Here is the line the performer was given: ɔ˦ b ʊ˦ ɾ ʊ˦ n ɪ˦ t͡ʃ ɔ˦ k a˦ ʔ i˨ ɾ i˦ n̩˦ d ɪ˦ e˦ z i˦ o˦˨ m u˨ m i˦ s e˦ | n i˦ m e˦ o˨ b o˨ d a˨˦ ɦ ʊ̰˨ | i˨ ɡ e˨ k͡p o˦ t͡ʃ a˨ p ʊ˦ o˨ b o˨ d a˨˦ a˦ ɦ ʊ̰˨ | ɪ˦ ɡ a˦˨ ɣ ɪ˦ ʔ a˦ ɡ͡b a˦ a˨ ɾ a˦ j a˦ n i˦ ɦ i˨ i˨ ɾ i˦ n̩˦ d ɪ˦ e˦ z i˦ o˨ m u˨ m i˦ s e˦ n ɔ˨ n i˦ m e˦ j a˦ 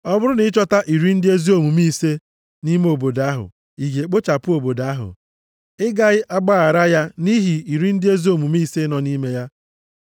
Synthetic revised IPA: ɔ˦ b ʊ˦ ɾ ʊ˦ n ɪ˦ t͡ʃ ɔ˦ t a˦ ʔ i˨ ɾ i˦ n̩˦ d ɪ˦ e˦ z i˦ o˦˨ m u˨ m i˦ s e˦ | n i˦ m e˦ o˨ b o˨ d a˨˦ ɦ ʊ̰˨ | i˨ ɡ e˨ k͡p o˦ t͡ʃ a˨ p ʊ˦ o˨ b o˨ d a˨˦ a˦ ɦ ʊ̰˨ | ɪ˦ ɡ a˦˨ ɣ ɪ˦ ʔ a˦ ɡ͡b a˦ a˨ ɾ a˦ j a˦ n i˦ ɦ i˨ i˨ ɾ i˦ n̩˦ d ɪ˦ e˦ z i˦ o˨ m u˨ m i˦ s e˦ n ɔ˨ n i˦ m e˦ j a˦